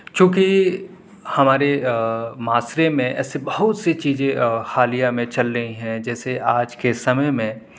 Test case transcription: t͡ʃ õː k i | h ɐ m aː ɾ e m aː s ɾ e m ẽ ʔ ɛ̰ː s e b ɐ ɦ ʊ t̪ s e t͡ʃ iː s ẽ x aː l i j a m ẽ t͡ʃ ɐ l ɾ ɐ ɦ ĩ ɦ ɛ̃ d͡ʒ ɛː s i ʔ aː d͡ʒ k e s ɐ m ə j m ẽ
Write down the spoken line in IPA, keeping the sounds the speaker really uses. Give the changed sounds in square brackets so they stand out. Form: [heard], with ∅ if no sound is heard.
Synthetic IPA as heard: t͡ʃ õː k i | h ɐ m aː ɾ e m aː s ɾ e m ẽ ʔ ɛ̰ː s e b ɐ ɦ ʊ t̪ s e t͡ʃ iː [z] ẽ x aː l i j a m ẽ t͡ʃ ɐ l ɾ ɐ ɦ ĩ ɦ ɛ̃ d͡ʒ ɛː s [e] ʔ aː d͡ʒ k e s ɐ m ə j m ẽ